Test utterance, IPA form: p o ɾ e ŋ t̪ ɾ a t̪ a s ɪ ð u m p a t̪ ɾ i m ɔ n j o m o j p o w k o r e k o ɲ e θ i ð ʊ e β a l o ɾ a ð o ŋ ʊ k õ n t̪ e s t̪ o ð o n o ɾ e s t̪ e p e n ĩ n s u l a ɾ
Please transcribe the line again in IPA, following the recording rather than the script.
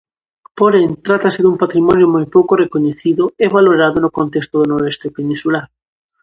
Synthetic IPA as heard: p o ɾ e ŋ t̪ ɾ a t̪ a s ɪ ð u m p a t̪ ɾ i m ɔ n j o m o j p o w k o r e k o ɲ e θ i ð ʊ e β a l o ɾ a ð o n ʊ k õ n t̪ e s t̪ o ð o n o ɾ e s t̪ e p e n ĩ n s u l a ɾ

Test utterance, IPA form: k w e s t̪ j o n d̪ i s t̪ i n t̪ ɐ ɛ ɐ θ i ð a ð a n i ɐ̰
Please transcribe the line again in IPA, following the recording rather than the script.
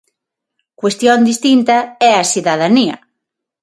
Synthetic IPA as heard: k w e s t̪ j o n d̪ i s t̪ i n t̪ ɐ ɛ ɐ s i ð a ð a n i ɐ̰

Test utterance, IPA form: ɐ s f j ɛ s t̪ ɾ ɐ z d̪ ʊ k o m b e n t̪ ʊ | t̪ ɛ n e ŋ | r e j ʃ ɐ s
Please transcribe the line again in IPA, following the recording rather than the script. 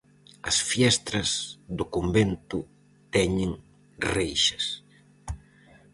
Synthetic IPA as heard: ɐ s f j ɛ s t̪ ɾ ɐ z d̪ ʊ k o m b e n t̪ ʊ | t̪ ɛ ɲ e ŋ | r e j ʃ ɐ s

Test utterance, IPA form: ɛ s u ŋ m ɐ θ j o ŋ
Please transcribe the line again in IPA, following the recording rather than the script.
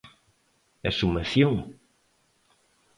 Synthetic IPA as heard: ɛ s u m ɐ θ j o ŋ

